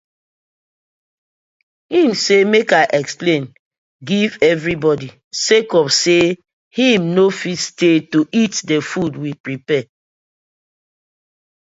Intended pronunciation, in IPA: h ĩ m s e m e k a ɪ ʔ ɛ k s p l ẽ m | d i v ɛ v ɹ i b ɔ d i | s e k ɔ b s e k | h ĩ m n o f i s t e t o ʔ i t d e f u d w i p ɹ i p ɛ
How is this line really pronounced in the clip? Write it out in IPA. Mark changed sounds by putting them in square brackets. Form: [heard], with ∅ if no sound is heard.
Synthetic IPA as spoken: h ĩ m s e m e k a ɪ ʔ ɛ k s p l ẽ [n] | [ɡ] i v ɛ v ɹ i b ɔ d i | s e k ɔ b s e [∅] | h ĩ m n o f i s t e t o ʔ i t d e f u d w i p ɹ i p ɛ